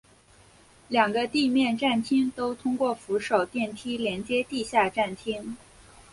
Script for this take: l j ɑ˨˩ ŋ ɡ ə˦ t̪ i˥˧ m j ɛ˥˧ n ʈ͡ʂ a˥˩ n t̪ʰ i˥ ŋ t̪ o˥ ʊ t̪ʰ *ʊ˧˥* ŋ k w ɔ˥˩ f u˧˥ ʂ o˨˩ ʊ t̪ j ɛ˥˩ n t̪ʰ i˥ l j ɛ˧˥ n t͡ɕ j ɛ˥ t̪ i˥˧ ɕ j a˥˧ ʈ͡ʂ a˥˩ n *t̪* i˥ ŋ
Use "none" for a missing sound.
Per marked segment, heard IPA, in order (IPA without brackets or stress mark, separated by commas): ʊ˥, t̪ʰ